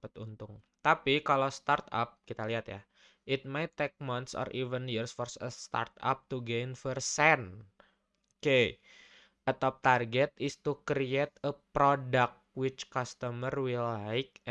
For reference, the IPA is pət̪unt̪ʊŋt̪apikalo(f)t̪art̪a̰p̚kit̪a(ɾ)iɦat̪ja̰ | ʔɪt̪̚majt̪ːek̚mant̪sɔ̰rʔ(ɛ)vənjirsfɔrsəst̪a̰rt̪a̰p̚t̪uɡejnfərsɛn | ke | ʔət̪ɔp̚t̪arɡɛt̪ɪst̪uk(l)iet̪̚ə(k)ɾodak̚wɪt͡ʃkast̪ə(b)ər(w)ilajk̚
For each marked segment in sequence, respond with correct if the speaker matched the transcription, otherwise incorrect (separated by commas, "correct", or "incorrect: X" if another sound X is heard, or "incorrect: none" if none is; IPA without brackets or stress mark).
incorrect: s, incorrect: l, incorrect: i, incorrect: ɾ, incorrect: p, incorrect: m, correct